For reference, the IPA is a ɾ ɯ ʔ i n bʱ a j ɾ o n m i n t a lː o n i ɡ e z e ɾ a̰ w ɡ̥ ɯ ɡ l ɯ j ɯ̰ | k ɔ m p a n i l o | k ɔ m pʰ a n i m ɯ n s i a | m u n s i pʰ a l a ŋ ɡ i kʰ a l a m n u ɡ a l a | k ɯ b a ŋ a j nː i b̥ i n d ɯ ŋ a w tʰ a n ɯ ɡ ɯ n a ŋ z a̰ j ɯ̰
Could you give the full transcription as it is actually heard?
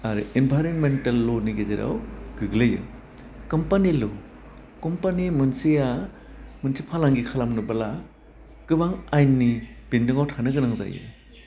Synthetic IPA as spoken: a ɾ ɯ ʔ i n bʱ a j ɾ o n m e n t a lː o n i ɡ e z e ɾ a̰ w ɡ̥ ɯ ɡ l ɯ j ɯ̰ | k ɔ m p a n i l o | k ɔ m p a n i m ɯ n s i a | m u n s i pʰ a l a ŋ ɡ i kʰ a l a m n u b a l a | k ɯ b a ŋ a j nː i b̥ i n d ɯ ŋ a w tʰ a n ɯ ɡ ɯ n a ŋ z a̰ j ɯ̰

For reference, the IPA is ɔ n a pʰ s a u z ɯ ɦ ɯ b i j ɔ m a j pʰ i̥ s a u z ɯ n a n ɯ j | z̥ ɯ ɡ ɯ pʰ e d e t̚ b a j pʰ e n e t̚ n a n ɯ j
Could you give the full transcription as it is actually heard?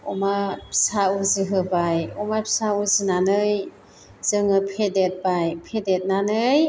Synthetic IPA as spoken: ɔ m a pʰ s a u z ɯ ɦ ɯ b a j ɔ m a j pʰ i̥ s a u z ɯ n a n ɯ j | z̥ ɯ ŋ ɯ pʰ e d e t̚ b a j pʰ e d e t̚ n a n ɯ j

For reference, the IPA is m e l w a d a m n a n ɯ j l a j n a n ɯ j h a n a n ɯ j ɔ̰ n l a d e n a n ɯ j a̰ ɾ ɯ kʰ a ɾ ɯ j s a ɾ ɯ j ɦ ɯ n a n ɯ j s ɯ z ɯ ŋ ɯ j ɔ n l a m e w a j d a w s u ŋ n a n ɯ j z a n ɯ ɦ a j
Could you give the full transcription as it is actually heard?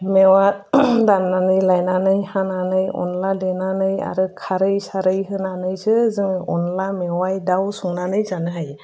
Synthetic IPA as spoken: m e w a d a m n a n ɯ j l a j n a n ɯ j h a n a n ɯ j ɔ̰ n l a d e n a n ɯ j a̰ ɾ ɯ kʰ a ɾ ɯ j s a ɾ ɯ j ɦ ɯ n a n ɯ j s ɯ z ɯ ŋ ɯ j ɔ n l a m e w a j d a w s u ŋ n a n ɯ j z a n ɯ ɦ a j

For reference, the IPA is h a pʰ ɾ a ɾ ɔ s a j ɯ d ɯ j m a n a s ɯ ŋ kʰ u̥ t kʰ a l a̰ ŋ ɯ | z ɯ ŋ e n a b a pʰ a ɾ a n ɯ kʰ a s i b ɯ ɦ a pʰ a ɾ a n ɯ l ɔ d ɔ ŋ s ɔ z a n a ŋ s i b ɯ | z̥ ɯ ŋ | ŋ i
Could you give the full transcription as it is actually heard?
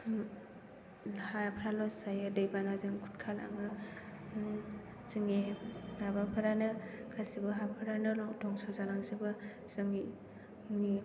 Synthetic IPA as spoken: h a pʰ ɾ a l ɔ s a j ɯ d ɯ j b a n a z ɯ ŋ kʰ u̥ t kʰ a l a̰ ŋ ɯ | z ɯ ŋ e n a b a pʰ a ɾ a n ɯ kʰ a s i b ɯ ɦ a pʰ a ɾ a n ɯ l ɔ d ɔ ŋ s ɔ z a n a ŋ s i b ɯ | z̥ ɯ ŋ | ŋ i

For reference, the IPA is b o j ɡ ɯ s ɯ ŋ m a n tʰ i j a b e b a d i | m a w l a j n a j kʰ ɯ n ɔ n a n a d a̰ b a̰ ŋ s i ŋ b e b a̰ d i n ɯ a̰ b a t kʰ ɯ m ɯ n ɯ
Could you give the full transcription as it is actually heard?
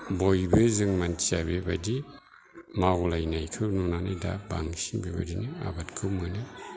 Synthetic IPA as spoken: b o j b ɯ z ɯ ŋ m a n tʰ i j a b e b a d i | m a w l a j n a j kʰ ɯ n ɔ n a n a d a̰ b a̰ ŋ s i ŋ b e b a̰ d i n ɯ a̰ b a t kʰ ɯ m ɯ n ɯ

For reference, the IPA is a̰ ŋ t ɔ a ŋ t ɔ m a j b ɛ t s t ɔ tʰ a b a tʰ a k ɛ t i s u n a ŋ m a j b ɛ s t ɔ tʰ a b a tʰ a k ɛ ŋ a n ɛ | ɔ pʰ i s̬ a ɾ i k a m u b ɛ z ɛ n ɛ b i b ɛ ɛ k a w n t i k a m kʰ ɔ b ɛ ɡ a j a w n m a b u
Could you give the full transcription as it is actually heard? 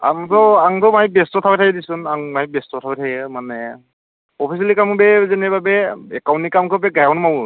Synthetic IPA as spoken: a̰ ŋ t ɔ a ŋ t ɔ m a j b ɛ s t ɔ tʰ a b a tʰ a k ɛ d i s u n a ŋ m a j b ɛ s t ɔ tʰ a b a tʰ a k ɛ m a n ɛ | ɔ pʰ i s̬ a l i k a m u b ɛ z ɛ n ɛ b a b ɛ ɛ k a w n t i k a m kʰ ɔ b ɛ ɡ a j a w n m a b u

